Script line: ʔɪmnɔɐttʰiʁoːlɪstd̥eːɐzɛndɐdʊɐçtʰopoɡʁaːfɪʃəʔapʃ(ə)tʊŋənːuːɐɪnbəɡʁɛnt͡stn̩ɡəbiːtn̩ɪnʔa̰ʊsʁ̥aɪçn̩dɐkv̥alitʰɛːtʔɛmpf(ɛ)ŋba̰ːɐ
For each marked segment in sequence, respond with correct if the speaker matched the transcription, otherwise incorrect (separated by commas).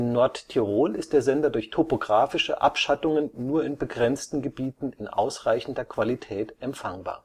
incorrect, incorrect